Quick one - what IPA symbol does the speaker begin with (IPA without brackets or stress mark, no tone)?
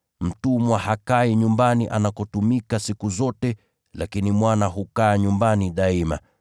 m̩